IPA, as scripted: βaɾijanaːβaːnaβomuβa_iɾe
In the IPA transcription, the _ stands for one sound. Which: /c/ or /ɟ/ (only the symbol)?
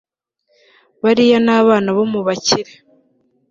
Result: c